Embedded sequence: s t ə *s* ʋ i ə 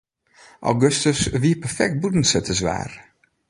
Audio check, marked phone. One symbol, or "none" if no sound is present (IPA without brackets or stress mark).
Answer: s